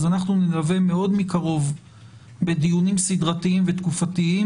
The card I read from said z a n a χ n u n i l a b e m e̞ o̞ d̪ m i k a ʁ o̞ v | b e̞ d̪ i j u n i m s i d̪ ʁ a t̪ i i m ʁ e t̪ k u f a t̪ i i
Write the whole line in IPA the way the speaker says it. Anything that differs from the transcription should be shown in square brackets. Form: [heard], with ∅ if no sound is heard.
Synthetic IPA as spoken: z a n a χ n u n i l a [v] e m e̞ o̞ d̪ m i k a ʁ o̞ v | b e̞ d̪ i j u n i m s i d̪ ʁ a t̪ i i m [v] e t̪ k u f a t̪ i i

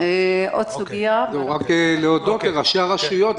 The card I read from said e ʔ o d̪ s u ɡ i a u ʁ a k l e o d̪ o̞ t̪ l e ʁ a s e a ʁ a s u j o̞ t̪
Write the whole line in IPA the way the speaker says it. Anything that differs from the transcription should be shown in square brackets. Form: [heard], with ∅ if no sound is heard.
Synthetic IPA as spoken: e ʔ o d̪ s u ɡ i a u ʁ a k l e o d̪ o̞ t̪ l e ʁ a [ʃ] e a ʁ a [ʃ] u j o̞ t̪

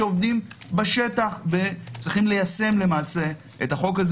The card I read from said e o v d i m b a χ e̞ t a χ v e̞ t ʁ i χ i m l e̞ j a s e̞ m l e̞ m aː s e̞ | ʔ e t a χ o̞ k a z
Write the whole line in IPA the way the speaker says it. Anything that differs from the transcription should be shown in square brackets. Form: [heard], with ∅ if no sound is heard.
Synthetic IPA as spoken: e o v d i m b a [ʃ] e̞ t a χ v e̞ [t͡s] ʁ i χ i m l e̞ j a s e̞ m l e̞ m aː s e̞ | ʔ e t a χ o̞ k a z

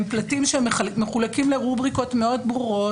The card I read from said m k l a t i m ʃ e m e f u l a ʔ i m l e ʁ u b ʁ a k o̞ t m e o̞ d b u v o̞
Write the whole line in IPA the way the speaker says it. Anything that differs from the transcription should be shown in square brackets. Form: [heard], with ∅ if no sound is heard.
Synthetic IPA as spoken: m [p] l a t i m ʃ e m e [χ] u l a [k] i m l e ʁ u b ʁ [i] k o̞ t m e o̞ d b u [ʁ] o̞

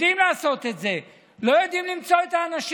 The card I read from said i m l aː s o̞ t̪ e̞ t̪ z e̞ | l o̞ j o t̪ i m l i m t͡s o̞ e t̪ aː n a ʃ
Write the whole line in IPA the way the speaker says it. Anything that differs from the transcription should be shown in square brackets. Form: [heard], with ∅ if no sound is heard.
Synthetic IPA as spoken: i m l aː s o̞ t̪ e̞ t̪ z e̞ | l o̞ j o [d̪] i m l i m t͡s o̞ e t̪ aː n a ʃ

